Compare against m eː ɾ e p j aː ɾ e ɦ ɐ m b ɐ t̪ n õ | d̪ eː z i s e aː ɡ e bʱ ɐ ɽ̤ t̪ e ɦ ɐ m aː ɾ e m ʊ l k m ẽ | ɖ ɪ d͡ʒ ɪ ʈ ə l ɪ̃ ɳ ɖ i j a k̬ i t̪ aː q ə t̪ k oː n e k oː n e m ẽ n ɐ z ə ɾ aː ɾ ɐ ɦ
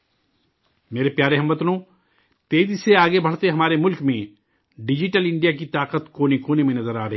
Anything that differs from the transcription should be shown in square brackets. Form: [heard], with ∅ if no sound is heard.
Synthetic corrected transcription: m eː ɾ e p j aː ɾ e ɦ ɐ m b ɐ t̪ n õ | [t̪] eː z i s e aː ɡ e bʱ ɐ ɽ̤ t̪ e ɦ ɐ m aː ɾ e m ʊ l k m ẽ | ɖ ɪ d͡ʒ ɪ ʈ ə l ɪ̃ ɳ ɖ i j a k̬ i t̪ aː q ə t̪ k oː n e k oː n e m ẽ n ɐ z ə ɾ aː ɾ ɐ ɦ